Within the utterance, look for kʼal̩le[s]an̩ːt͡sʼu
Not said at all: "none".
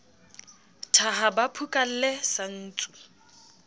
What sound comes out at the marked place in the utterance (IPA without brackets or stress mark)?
s